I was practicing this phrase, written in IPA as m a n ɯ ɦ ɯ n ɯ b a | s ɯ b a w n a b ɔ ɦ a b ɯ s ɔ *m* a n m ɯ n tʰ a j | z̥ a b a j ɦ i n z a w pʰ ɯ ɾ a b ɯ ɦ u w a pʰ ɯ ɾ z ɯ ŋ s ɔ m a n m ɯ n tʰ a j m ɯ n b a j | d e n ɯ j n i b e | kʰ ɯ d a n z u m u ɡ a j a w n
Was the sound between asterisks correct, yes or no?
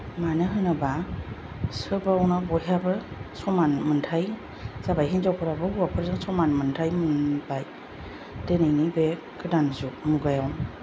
yes